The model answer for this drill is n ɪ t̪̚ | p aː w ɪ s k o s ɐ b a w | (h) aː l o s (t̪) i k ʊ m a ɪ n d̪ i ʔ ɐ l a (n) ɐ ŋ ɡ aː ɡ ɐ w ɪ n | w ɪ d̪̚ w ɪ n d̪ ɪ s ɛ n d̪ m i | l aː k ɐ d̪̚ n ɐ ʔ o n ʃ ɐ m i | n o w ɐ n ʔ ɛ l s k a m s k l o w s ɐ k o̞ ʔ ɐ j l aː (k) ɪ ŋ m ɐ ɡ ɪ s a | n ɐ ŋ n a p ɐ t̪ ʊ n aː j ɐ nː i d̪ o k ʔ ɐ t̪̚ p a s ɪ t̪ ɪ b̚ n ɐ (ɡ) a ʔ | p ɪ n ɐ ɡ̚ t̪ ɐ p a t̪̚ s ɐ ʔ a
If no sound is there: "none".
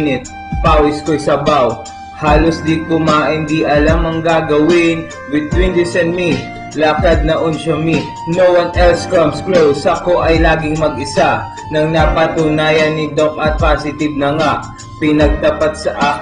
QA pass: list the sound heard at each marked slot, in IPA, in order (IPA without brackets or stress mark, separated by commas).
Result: h, d̪, m, ɡ, ŋ